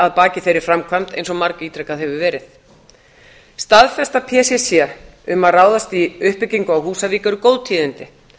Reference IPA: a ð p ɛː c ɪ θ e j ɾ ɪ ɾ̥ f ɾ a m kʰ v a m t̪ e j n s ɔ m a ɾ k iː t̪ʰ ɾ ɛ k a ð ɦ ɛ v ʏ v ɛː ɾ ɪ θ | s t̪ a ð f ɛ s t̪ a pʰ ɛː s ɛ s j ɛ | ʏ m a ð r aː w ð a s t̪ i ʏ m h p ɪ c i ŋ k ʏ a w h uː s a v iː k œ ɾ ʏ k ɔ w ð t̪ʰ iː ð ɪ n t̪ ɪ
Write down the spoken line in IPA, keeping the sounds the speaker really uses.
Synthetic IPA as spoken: a ð p aː c ɪ θ e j ɾ ɪ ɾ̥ f ɾ a m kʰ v a m t̪ e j n s ɔ m a ɾ k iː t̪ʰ ɾ ɛ k a ð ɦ ɛ v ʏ v ɛː ɾ ɪ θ | s t̪ a ð f ɛ s t̪ a pʰ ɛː s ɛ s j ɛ | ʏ m a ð r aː w ð a s t̪ i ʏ h p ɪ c i ŋ k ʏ a w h uː s a v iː k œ ɾ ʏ k o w ð t̪ʰ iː ð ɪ n t̪ ɪ